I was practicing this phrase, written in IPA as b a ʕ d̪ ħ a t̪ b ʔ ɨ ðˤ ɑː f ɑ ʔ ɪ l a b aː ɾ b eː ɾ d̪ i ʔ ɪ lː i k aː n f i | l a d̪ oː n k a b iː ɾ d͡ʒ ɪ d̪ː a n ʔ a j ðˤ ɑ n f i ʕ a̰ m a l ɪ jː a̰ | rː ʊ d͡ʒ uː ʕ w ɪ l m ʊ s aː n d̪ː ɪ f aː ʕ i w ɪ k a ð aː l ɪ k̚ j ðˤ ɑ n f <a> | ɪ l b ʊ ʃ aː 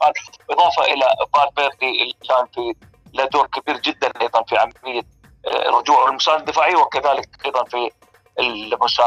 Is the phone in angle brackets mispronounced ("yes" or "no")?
yes